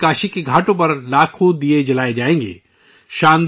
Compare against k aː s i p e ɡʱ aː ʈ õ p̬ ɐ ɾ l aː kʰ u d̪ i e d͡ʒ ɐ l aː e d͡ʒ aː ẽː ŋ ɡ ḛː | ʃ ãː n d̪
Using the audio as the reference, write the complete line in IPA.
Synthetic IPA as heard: k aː ʃ i k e ɡʱ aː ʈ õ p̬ ɐ ɾ l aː kʰ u d̪ i e d͡ʒ ɐ l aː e d͡ʒ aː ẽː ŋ ɡ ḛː | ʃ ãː n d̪

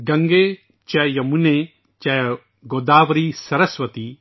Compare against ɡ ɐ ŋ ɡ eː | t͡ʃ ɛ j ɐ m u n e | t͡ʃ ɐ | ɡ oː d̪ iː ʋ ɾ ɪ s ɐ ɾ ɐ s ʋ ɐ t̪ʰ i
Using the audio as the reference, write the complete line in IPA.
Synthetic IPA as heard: ɡ ɐ ŋ ɡ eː | t͡ʃ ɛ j ɐ m u n e | t͡ʃ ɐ | ɡ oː d̪ aː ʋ ɾ i s ɐ ɾ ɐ s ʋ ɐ t̪ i

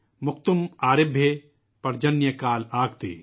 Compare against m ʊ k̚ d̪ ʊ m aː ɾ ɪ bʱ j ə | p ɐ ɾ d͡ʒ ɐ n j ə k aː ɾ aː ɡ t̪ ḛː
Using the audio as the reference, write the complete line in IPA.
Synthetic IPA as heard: m ʊ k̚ t̪ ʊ m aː ɾ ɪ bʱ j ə | p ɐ ɾ d͡ʒ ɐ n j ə k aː l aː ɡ t̪ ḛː

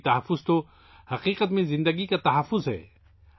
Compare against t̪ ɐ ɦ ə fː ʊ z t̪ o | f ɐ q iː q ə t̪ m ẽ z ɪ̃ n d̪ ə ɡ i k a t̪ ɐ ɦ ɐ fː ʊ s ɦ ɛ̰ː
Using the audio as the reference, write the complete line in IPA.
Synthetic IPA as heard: t̪ ɐ ɦ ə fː ʊ z t̪ o | h ɐ q iː q ə t̪ m ẽ z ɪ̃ n d̪ ə ɡ i k a t̪ ɐ ɦ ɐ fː ʊ z ɦ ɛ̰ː

